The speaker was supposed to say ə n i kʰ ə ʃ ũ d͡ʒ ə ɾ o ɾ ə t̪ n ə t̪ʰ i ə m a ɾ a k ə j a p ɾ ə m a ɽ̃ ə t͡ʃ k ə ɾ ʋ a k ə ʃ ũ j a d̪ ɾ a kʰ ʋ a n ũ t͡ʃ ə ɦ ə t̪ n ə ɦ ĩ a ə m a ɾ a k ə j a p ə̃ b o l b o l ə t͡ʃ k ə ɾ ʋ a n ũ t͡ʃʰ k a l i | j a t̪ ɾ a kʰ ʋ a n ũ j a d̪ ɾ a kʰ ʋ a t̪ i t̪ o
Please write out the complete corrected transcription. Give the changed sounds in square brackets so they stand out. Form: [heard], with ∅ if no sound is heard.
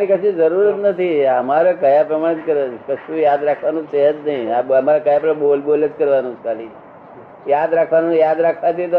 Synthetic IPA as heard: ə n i [k] ə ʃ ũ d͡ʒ ə ɾ [u] ɾ ə t̪ n ə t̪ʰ i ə m a ɾ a k ə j a p ɾ ə m a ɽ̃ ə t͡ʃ k ə ɾ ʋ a k ə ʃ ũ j a d̪ ɾ a kʰ ʋ a n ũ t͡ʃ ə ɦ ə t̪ n ə ɦ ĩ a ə m a ɾ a k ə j a p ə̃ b o l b o l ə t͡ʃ k ə ɾ ʋ a n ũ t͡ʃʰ k a l i | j a [d̪] ɾ a kʰ ʋ a n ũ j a d̪ ɾ a kʰ ʋ a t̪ i t̪ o